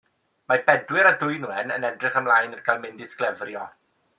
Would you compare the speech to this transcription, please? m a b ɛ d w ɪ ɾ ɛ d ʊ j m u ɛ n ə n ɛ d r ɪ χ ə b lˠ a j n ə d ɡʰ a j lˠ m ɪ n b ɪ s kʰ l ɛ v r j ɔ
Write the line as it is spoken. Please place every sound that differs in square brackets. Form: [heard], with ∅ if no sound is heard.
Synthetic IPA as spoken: m a b ɛ d w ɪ ɾ [a] d ʊ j [n] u ɛ n ə n ɛ d r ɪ χ ə [m] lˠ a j n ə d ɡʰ a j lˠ m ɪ n [d] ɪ s [k] l ɛ v r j ɔ